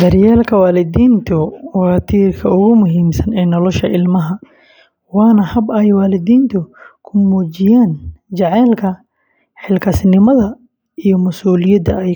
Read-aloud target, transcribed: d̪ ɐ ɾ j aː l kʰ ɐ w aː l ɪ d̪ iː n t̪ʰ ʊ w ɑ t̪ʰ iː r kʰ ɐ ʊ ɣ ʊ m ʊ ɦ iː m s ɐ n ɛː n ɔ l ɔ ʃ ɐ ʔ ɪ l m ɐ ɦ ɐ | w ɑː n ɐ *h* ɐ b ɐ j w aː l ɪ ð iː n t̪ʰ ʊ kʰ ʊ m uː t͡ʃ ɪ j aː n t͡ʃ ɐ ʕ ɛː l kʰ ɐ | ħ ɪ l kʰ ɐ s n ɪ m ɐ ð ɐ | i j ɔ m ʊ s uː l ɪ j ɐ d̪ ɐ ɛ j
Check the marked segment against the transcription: correct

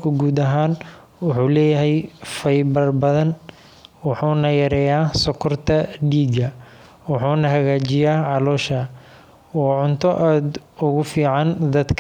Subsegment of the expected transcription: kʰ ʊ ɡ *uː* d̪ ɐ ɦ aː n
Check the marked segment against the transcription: correct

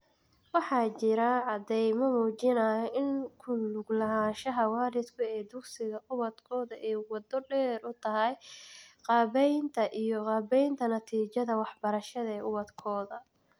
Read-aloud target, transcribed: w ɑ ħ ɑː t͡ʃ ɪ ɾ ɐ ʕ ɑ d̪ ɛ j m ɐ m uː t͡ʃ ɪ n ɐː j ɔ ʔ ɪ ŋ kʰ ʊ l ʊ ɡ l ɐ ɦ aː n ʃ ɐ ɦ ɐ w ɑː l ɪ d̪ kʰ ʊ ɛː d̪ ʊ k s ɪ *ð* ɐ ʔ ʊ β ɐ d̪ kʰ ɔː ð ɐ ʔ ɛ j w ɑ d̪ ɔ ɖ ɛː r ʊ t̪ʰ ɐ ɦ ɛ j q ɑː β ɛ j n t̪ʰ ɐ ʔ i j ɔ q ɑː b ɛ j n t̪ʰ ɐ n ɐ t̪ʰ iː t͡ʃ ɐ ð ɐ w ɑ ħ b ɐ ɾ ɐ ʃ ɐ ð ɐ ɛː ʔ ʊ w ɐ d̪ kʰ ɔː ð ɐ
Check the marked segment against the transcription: incorrect: ɣ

